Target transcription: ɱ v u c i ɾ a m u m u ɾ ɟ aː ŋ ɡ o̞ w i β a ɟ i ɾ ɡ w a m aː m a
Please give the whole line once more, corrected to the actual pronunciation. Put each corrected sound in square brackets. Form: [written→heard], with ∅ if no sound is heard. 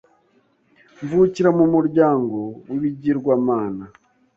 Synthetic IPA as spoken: ɱ v u c i ɾ a m u m u ɾ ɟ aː ŋ ɡ o̞ w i β [a→i] ɟ i ɾ ɡ w a m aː [m→n] a